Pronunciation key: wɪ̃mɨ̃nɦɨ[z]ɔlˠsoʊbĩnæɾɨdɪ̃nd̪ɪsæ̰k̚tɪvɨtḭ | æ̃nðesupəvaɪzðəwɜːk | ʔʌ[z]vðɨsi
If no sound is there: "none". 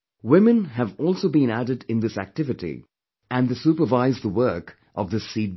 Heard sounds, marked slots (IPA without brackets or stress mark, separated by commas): v, none